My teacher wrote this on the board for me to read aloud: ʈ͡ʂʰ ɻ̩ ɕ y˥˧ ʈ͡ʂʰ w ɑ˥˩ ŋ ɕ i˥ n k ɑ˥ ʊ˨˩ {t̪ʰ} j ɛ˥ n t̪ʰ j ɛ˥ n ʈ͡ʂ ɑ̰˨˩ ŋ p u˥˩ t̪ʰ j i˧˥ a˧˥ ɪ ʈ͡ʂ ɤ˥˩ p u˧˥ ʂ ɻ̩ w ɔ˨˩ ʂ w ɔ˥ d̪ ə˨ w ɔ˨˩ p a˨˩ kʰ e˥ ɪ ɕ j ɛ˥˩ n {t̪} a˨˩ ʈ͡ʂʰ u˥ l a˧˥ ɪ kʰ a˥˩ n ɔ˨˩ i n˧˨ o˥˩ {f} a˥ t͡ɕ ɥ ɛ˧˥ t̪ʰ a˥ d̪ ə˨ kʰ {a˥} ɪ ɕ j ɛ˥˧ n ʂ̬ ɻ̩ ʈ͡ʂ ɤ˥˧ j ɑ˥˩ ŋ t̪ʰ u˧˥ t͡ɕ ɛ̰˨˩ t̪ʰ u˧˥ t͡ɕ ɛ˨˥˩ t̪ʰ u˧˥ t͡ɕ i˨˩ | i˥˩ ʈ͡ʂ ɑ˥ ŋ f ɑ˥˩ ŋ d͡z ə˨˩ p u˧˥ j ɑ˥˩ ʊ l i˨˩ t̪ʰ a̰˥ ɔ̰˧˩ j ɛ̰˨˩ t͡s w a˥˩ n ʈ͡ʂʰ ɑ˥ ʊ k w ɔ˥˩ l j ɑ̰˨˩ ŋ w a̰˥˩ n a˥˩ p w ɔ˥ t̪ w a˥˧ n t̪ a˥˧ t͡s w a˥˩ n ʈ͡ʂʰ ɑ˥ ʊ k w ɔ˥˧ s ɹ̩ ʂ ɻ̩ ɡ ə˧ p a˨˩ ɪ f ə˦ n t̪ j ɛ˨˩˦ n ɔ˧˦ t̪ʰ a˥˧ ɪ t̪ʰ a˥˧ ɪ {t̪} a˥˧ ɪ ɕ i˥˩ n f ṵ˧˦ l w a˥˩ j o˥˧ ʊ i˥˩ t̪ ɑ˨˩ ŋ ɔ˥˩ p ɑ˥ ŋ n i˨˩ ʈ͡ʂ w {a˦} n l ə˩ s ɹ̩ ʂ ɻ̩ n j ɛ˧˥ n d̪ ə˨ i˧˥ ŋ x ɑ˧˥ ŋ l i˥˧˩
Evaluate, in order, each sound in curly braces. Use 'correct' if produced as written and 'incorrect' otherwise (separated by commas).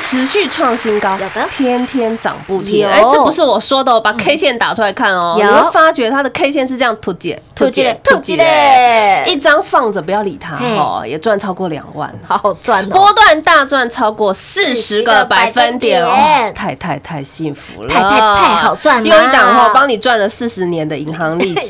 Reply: correct, correct, correct, incorrect, incorrect, incorrect